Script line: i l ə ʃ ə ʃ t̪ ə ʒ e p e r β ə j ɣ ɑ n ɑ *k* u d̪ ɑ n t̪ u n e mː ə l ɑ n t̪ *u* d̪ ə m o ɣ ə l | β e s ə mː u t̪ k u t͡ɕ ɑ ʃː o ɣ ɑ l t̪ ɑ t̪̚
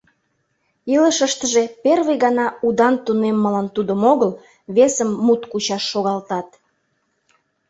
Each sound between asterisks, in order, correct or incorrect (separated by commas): incorrect, correct